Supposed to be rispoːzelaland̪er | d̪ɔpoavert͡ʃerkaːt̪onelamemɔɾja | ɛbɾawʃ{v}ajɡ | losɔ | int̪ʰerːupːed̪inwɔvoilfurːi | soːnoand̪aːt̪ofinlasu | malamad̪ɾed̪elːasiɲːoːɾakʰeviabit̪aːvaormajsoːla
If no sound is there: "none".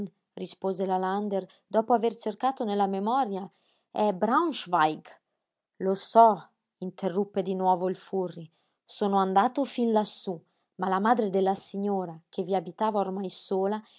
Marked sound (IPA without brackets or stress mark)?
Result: v